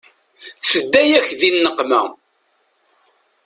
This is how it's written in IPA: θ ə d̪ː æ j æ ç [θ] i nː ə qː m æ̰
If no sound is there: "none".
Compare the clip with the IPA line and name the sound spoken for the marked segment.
ð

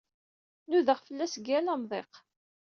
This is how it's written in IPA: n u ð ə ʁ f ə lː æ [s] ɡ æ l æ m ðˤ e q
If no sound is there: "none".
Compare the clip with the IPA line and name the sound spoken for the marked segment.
s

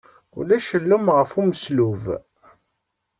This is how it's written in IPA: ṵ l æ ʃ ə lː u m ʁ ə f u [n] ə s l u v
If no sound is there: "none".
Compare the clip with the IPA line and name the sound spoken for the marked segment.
m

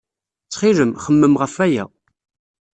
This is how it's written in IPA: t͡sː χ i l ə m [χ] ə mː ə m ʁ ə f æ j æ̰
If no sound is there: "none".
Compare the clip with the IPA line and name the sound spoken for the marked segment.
χ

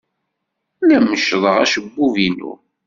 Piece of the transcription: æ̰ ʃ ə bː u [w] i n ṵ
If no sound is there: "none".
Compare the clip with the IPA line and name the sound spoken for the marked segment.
v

